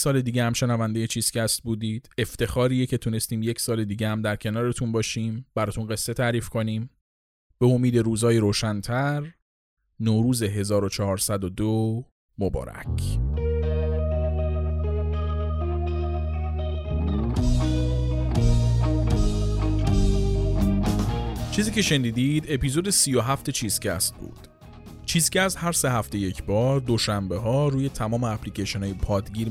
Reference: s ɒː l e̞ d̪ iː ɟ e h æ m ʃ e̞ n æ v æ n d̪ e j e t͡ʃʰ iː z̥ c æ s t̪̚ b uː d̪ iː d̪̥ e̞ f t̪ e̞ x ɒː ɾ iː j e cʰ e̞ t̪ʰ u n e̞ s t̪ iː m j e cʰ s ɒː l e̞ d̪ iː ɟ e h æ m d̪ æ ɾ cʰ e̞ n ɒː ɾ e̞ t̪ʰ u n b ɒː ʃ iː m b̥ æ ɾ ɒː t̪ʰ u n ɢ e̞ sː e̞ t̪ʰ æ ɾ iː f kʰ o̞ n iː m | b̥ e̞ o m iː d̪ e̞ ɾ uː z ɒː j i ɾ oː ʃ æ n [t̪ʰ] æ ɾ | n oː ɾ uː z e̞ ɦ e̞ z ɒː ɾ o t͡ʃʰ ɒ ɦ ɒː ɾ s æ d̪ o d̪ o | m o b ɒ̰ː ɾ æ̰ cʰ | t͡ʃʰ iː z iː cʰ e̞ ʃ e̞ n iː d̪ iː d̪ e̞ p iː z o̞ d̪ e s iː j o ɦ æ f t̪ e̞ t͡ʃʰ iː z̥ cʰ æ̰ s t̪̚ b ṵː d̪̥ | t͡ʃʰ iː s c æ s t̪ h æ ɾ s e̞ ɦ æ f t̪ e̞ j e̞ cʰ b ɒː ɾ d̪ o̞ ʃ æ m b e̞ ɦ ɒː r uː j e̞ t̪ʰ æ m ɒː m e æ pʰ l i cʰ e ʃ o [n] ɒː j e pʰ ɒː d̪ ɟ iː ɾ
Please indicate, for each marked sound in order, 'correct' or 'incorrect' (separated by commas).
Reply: correct, correct